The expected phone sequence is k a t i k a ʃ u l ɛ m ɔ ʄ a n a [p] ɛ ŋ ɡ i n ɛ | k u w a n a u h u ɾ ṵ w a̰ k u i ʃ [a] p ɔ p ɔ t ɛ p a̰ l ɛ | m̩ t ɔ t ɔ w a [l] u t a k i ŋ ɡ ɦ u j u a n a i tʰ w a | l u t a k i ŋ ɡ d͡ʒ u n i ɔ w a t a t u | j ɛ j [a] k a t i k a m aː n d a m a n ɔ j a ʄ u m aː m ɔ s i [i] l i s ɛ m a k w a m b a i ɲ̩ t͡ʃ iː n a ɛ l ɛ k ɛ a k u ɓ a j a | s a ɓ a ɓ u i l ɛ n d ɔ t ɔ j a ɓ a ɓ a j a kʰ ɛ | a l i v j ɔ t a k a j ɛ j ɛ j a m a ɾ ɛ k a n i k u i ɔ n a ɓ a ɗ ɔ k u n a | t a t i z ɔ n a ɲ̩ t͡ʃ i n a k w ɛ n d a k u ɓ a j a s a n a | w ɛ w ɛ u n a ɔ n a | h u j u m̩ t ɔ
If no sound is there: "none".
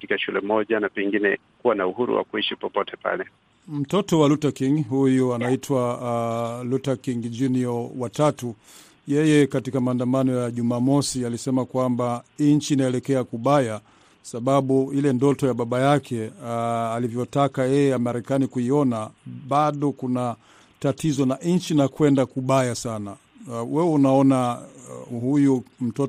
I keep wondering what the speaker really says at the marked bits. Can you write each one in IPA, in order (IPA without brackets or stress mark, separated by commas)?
p, i, l, ɛ, a